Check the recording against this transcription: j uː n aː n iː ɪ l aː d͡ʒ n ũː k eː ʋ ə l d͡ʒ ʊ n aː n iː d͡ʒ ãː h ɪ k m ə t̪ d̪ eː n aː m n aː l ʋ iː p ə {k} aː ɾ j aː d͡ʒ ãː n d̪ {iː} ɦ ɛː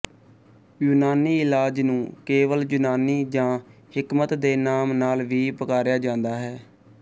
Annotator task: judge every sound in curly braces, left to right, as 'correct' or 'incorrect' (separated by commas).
correct, incorrect